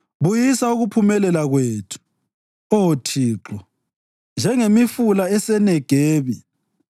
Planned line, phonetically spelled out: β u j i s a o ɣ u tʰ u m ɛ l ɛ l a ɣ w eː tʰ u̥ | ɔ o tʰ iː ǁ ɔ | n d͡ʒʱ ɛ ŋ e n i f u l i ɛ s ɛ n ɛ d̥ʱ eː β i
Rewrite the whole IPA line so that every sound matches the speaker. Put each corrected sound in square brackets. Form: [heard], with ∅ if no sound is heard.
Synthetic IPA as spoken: β u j i s a [u] ɣ u [pʰ] u m ɛ l ɛ l a ɣ w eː tʰ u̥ | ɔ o tʰ iː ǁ ɔ | n d͡ʒʱ ɛ ŋ e [m] i f u l [a] ɛ s ɛ n ɛ [ɡ̥ʱ] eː β i